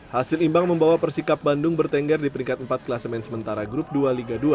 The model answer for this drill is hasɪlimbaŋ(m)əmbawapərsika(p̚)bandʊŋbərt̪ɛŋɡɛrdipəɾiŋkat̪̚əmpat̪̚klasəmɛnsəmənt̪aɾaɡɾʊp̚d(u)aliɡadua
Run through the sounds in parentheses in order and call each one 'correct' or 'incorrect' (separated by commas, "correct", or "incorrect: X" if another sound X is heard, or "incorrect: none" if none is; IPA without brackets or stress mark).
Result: correct, correct, correct